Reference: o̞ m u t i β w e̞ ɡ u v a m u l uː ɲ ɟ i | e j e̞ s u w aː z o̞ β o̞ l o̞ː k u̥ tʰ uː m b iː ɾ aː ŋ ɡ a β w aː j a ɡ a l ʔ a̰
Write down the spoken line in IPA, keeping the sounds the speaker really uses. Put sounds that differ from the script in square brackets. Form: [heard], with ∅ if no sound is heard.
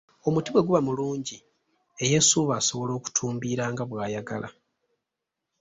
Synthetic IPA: o̞ m u t i β w e̞ ɡ u [β] a m u l uː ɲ ɟ i | e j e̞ s u [β] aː [s] o̞ β o̞ l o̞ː k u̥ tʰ uː m b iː ɾ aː ŋ ɡ a β w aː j a ɡ a l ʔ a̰

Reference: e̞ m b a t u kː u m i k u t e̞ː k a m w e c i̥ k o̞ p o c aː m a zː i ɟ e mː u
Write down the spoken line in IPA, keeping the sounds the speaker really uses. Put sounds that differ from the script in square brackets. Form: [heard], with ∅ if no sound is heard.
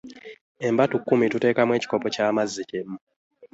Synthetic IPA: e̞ m b a t u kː u m i [t] u t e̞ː k a m w e c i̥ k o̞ p o c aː m a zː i [c] e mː u

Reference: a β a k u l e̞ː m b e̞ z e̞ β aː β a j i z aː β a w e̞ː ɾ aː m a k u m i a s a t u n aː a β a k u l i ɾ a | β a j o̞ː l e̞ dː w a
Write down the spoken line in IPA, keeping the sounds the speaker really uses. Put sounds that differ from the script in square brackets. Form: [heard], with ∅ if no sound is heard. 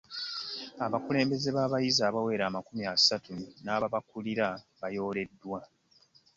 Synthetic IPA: a β a k u l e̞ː m b e̞ z e̞ β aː β a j i z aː β a w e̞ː ɾ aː m a k u m i a s a t u n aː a β a k u l i ɾ a | β a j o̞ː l e̞ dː w a

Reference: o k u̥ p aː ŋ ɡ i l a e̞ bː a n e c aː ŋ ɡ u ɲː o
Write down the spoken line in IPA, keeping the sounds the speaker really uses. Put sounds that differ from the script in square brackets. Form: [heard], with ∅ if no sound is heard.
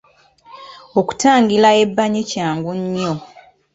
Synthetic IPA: o k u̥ [t] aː ŋ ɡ i l a e̞ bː a [ɲ] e c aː ŋ ɡ u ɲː o

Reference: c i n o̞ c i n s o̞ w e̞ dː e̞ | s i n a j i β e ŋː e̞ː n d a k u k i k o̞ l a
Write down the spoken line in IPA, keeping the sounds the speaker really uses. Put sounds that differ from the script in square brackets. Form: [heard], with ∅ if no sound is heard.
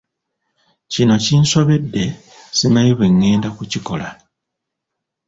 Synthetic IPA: c i n o̞ c i n s o̞ [β] e̞ dː e̞ | s i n a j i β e ŋː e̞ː n d a k u [c] i k o̞ l a

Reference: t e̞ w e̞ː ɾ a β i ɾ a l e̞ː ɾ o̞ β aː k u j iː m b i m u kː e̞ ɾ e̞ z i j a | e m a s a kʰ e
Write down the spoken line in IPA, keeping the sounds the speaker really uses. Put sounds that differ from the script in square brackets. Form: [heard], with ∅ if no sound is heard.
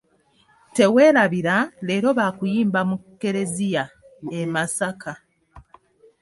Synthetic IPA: t e̞ w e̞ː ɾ a β i ɾ a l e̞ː ɾ o̞ β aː k u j iː m b [a] m u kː e̞ ɾ e̞ z i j a | e m a s a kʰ [a]

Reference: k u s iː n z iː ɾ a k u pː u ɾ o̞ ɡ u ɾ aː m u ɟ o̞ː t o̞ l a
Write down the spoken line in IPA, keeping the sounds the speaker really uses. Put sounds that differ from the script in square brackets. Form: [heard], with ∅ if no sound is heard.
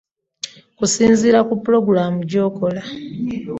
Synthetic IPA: k u s iː n z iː ɾ a k u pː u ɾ o̞ ɡ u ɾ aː m u ɟ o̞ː [k] o̞ l a

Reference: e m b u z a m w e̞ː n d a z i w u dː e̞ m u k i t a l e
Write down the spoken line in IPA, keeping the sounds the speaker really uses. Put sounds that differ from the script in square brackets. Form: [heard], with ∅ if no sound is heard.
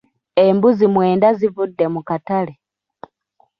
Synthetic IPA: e m b u z [i] m w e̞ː n d a z i [v] u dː e̞ m u k [a] t a l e

